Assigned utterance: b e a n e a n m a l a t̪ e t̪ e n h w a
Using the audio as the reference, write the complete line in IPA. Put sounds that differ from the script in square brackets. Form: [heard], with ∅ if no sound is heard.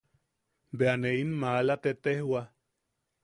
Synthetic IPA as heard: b e a n e [i] n m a l a t̪ e t̪ e [∅] h w a